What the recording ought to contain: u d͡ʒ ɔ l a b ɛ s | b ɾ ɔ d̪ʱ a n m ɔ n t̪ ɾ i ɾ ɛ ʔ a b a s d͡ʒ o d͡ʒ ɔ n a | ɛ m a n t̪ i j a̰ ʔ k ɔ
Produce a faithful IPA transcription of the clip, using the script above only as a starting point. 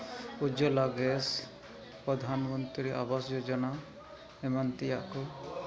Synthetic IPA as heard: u d͡ʒ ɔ l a ɡ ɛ s | p ɾ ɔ d̪ʱ a n m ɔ n t̪ ɾ i ɾ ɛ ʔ a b a s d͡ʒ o d͡ʒ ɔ n a | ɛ m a n t̪ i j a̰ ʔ k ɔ